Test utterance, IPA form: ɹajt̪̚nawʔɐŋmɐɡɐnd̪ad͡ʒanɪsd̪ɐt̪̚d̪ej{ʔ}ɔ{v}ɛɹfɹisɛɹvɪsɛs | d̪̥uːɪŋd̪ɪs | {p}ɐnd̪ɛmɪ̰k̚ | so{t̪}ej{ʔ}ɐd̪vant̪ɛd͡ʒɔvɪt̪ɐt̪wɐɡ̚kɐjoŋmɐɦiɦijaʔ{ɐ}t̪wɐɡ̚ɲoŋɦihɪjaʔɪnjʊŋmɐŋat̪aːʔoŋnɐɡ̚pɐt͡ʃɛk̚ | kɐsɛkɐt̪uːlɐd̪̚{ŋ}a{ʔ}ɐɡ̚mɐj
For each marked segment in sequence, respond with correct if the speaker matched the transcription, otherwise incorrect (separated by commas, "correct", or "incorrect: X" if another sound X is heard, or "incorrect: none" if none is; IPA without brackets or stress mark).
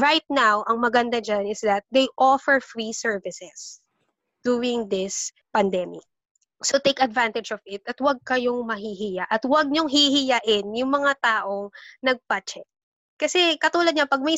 correct, incorrect: f, correct, correct, incorrect: k, correct, incorrect: ɲ, incorrect: p